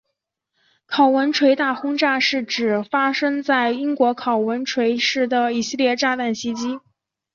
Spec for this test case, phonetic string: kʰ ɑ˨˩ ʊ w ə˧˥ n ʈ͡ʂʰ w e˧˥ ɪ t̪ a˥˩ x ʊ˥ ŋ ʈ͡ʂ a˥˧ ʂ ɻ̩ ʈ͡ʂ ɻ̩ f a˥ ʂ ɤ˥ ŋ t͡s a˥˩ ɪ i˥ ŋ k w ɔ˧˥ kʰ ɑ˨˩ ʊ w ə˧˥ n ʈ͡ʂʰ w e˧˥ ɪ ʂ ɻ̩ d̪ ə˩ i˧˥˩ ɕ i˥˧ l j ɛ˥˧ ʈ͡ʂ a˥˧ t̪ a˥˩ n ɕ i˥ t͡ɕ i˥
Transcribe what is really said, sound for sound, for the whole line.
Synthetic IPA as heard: kʰ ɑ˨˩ ʊ w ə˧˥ n ʈ͡ʂʰ w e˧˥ ɪ t̪ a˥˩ x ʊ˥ ŋ ʈ͡ʂ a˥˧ ʂ ɻ̩ ʈ͡ʂ ɻ̩ f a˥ ʂ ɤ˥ ŋ t͡s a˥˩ ɪ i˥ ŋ k w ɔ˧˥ kʰ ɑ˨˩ ʊ w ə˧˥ n ʈ͡ʂʰ w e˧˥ ɪ ʂ ɻ̩ d̪ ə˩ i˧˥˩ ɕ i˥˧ l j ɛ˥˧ ʈ͡ʂ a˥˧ t̪ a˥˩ n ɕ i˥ t͡ɕ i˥